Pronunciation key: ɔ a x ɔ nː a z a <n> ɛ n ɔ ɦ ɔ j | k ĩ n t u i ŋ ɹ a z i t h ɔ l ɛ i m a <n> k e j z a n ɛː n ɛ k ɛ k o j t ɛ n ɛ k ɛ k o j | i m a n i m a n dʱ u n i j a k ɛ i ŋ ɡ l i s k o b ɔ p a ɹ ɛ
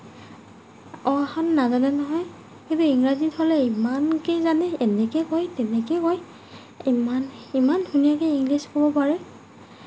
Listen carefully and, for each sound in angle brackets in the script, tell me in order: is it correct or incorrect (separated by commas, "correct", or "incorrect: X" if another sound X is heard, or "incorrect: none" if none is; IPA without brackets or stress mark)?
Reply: correct, correct